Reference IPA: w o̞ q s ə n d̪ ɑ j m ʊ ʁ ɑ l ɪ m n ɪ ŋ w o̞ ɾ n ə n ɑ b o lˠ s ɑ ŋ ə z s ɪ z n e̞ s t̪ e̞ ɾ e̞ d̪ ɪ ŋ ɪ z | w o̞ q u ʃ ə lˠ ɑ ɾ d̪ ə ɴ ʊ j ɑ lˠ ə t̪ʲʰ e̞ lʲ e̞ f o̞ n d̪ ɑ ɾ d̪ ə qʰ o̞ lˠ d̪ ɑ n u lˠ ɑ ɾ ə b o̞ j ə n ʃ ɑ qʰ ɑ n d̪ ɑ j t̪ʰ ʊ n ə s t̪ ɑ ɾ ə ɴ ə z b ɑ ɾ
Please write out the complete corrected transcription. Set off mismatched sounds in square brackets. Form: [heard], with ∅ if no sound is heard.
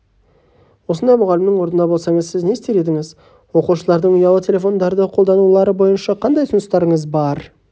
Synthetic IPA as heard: w o̞ [∅] s ə n d̪ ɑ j m ʊ ʁ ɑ l ɪ m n ɪ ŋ w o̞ ɾ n ə n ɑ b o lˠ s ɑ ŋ ə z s ɪ z n e̞ s t̪ e̞ ɾ e̞ d̪ ɪ ŋ ɪ z | w o̞ q u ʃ ə lˠ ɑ ɾ d̪ ə ɴ ʊ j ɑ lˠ ə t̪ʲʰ e̞ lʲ e̞ f o̞ n d̪ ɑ ɾ d̪ ə qʰ o̞ lˠ d̪ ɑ n u lˠ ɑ ɾ ə b o̞ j ə n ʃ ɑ qʰ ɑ n d̪ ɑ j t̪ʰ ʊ n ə s t̪ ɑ ɾ ə ɴ ə z b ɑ ɾ